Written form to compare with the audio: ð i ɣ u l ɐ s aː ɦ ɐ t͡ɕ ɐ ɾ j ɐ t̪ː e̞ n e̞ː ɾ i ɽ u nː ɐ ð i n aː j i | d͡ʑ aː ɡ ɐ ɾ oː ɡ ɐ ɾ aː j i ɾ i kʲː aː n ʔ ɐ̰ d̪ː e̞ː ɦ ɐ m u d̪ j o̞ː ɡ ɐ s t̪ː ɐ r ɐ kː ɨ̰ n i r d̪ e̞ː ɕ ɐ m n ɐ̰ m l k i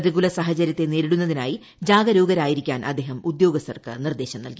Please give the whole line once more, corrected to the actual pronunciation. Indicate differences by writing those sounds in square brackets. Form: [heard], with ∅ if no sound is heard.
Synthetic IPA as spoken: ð i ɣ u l ɐ s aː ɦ ɐ t͡ɕ ɐ ɾ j ɐ t̪ː e̞ n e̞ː ɾ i ɽ u nː ɐ ð i n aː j i | d͡ʑ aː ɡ ɐ ɾ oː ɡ ɐ ɾ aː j i ɾ i kʲː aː n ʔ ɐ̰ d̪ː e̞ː ɦ ɐ m u d̪ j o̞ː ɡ ɐ s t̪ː ɐ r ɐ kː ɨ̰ n i r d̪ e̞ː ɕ ɐ m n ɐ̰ [∅] l k i